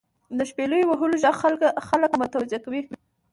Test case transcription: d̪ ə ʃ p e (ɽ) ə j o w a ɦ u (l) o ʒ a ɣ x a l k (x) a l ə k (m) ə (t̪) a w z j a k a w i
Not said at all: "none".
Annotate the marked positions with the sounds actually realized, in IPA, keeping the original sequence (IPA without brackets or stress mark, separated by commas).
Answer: l, l, x, m, t̪